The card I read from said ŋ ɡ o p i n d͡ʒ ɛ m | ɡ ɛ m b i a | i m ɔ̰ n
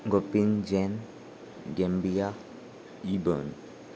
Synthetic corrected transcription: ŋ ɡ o p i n d͡ʒ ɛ n | ɡ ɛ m b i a | i b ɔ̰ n